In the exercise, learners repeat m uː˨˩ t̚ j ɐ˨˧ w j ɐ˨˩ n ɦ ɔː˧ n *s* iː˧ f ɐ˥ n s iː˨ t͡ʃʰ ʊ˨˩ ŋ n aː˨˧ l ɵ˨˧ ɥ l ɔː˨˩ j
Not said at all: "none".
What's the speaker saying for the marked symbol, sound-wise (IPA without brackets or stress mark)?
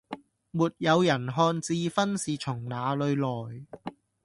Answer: t͡s